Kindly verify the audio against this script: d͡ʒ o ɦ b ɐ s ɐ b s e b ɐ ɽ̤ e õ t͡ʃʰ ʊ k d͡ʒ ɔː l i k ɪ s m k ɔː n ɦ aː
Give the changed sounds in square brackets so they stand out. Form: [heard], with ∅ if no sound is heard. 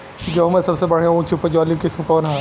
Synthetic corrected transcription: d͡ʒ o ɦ [m] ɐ s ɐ b s e b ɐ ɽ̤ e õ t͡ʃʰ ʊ [p] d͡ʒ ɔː l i k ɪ s m k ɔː n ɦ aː